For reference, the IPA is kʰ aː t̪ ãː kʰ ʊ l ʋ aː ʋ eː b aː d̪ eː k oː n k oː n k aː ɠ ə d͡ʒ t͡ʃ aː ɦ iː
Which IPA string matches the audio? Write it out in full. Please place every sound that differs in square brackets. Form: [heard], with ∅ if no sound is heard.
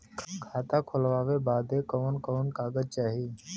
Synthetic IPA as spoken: kʰ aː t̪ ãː kʰ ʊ l ʋ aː ʋ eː b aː d̪ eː k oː n k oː n k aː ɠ ə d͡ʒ t͡ʃ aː ɦ iː